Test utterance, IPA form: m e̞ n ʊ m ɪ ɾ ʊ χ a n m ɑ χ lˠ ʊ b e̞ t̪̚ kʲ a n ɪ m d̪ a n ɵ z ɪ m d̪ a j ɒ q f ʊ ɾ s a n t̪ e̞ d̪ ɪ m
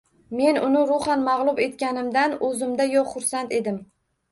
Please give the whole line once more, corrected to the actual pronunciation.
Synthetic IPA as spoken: m e̞ n ʊ n ɪ ɾ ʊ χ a n m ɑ ʁ lˠ ʊ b e̞ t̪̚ kʲ a n ɪ m d̪ a n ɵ z ɪ m d̪ a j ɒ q χ ʊ ɾ s a n t̪ e̞ d̪ ɪ m